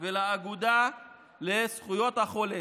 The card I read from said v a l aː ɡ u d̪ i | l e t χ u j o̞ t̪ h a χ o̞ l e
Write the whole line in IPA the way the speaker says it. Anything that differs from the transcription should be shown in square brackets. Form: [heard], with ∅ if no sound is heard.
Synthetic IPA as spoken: v [e] l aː ɡ u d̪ [a] | l e [s] χ u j o̞ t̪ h a χ o̞ l e

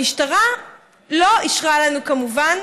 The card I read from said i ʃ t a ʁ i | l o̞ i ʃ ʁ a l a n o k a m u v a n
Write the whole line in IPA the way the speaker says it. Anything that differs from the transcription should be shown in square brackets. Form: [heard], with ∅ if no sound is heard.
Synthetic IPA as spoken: i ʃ t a ʁ [a] | l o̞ i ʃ ʁ a l a n [u] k a m u v a n

